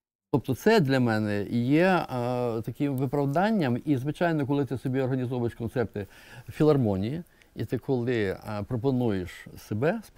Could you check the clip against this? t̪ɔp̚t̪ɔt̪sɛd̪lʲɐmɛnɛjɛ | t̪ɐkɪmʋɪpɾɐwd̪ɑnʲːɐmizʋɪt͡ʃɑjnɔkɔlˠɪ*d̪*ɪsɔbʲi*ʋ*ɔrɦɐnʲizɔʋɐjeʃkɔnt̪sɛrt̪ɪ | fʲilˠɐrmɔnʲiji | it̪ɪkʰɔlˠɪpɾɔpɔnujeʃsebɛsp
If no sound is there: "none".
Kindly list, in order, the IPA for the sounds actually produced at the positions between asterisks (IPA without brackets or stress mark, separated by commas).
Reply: t̪, none